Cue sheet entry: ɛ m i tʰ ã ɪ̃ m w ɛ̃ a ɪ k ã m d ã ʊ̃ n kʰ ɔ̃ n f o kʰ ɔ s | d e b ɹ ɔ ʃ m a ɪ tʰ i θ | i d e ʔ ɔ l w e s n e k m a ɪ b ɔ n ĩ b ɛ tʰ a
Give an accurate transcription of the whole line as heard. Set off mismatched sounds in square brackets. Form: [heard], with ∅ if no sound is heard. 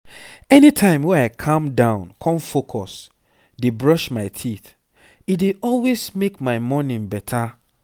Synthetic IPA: ɛ [n] i tʰ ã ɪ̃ m w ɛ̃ a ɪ [kʰ] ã m d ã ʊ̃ n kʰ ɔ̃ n f o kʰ ɔ s | d e b ɹ ɔ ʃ m a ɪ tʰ i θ | i d e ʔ ɔ l w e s [m] e k m a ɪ [m] ɔ n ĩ b ɛ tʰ a